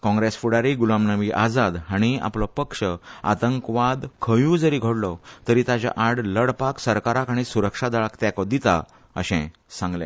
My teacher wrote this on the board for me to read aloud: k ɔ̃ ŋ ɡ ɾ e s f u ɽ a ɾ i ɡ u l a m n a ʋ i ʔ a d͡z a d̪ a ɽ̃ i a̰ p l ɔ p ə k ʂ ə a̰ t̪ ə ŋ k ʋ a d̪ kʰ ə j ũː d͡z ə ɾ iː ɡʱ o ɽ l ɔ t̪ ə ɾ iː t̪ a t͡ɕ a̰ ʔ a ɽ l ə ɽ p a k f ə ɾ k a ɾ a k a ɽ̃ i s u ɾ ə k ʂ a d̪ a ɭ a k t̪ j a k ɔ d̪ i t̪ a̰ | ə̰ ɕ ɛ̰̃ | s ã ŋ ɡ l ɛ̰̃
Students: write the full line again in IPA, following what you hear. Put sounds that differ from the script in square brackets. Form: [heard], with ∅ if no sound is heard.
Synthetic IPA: k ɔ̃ ŋ ɡ ɾ e s f u ɽ a ɾ i ɡ u l a m n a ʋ i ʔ a d͡z a d̪ a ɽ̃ i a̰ p l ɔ p ə k ʂ ə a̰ t̪ ə ŋ k ʋ a d̪ kʰ ə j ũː d͡z ə ɾ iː ɡʱ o ɽ l ɔ t̪ ə ɾ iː t̪ a t͡ɕ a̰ ʔ a ɽ l ə ɽ p a k [s] ə ɾ k a ɾ a k a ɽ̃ i s u ɾ ə k ʂ a d̪ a ɭ a k t̪ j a k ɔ d̪ i t̪ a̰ | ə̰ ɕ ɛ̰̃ | s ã ŋ ɡ l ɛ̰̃